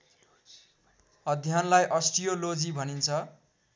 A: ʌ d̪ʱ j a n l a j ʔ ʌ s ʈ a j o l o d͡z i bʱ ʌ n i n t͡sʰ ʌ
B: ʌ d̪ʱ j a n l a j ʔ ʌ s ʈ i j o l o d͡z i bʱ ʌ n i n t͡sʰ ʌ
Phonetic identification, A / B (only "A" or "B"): B